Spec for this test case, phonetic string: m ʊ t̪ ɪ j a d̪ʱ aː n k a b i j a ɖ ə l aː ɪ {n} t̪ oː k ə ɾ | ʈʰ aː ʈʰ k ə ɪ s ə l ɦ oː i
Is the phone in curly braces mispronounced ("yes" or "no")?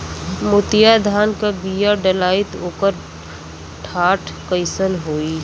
yes